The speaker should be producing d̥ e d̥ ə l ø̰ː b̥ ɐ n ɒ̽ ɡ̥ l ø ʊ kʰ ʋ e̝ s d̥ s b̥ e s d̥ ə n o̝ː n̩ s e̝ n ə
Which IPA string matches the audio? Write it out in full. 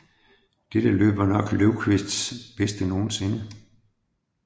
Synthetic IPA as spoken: d̥ e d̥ ə l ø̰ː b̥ ɐ n ɒ̽ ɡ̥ l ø ʊ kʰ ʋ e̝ s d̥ s b̥ e s d̥ ə n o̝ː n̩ s e̝ n ə